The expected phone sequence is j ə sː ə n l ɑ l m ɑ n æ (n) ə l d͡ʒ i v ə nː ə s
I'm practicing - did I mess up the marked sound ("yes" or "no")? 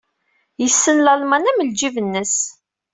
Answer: yes